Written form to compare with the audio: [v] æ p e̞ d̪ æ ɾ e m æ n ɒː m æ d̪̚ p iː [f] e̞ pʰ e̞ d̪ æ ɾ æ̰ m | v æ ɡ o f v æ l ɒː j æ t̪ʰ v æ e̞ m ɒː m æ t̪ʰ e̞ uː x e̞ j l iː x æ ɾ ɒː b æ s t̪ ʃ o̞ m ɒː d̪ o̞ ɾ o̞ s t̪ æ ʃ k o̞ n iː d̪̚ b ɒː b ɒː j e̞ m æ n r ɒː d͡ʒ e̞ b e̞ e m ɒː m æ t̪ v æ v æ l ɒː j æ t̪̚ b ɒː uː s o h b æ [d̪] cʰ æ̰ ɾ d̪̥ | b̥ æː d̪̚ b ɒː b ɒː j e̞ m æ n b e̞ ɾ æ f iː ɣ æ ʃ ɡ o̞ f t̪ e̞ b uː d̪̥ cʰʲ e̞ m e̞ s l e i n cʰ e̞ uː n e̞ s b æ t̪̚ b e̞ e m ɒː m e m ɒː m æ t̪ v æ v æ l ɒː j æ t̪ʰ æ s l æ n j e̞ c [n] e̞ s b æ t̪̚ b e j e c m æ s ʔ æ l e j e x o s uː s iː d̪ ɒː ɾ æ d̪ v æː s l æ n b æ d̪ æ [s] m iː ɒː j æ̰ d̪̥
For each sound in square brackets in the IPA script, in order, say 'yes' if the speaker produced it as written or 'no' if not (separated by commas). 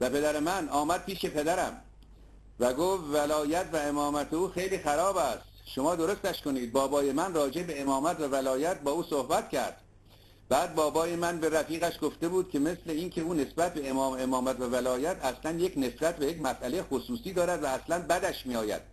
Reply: yes, no, no, yes, no